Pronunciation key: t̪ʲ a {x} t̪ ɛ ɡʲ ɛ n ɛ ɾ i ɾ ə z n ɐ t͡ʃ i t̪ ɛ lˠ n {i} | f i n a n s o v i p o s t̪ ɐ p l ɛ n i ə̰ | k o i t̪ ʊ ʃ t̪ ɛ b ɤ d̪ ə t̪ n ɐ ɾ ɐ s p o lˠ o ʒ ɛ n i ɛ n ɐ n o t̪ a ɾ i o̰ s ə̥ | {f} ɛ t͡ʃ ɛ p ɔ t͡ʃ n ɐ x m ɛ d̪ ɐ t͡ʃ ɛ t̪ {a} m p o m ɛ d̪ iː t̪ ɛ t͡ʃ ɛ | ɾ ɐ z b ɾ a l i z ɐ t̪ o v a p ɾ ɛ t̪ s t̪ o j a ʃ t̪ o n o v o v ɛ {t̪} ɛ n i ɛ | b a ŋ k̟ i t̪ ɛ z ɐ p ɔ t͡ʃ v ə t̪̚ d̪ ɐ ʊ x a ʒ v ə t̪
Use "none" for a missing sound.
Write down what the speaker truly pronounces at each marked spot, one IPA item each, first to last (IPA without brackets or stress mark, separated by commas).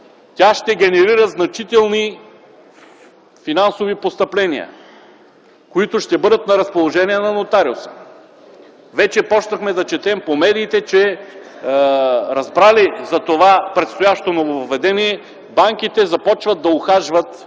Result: ʃ, i, v, ɛ, d̪